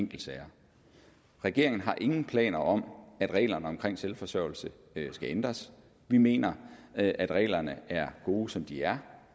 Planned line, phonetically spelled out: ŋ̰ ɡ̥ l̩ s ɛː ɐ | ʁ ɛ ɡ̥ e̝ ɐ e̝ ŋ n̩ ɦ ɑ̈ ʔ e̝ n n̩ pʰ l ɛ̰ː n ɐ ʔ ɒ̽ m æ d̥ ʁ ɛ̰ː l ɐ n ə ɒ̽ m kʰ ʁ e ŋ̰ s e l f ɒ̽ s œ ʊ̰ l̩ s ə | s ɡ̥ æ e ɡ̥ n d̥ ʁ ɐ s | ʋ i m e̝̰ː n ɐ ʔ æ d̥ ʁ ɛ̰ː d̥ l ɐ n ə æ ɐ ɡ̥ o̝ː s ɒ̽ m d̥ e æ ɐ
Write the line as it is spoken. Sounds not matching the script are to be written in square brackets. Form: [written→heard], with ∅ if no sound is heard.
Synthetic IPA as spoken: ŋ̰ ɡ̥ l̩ s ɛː ɐ | ʁ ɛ ɡ̥ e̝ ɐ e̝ ŋ n̩ ɦ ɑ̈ ʔ e̝ [n→ŋ] n̩ pʰ l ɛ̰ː n ɐ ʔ ɒ̽ m æ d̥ ʁ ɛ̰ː l ɐ n ə ɒ̽ m kʰ ʁ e ŋ̰ s e l f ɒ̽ s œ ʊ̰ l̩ s ə | s ɡ̥ æ e [ɡ̥→∅] n d̥ ʁ ɐ s | ʋ i m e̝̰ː n ɐ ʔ æ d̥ ʁ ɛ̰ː [d̥→∅] l ɐ n ə æ ɐ ɡ̥ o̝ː s ɒ̽ m d̥ [e→i] æ ɐ